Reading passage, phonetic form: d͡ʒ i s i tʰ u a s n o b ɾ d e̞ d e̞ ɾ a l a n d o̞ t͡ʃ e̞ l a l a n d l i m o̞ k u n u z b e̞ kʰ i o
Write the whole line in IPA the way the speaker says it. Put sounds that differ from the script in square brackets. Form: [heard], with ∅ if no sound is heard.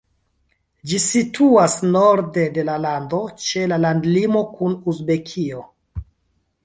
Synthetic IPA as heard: d͡ʒ i s i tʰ u a s n o [∅] ɾ d e̞ d e̞ [l] a l a n d o̞ t͡ʃ e̞ l a l a n d l i m o̞ k u n u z b e̞ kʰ i o